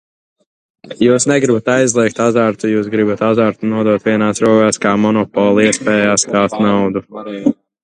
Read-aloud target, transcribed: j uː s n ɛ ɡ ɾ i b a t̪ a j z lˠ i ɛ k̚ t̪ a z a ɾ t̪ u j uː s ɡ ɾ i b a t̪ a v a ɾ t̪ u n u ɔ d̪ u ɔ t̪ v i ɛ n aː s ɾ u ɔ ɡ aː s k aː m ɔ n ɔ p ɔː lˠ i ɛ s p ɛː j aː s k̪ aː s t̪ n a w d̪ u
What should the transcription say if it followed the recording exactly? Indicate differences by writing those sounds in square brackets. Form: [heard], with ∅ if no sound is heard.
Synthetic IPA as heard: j uː s n ɛ ɡ ɾ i b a t̪ a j z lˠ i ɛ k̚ t̪ a z a ɾ t̪ u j uː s ɡ ɾ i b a t̪ a [z] a ɾ t̪ u n u ɔ d̪ u ɔ t̪ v i ɛ n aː s ɾ u ɔ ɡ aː s k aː m ɔ n ɔ p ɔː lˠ i ɛ s p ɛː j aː s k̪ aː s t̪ n a w d̪ u